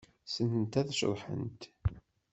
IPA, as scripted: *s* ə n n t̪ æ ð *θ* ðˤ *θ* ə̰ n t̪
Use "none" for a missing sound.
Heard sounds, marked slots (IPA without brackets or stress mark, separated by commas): s, ʃ, ħ